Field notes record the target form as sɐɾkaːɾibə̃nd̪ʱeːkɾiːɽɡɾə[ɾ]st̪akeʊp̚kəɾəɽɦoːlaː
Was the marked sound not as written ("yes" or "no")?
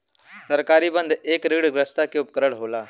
yes